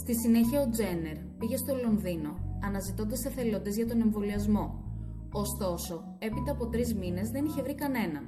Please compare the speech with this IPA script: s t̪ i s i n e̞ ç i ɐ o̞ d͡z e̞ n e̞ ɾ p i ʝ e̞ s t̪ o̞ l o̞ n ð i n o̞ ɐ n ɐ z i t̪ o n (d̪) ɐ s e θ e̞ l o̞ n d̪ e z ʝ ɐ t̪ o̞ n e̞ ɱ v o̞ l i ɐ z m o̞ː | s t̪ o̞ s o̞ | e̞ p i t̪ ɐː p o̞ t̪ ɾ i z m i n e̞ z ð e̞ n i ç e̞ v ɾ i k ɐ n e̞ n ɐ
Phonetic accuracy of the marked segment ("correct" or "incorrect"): correct